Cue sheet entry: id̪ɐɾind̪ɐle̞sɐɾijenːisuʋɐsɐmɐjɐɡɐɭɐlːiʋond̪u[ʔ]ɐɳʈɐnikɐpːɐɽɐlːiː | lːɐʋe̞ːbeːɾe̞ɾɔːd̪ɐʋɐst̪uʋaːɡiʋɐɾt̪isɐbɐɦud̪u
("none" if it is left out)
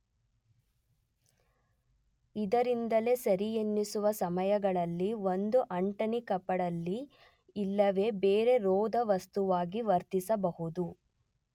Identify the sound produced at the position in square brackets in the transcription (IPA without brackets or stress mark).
ʔ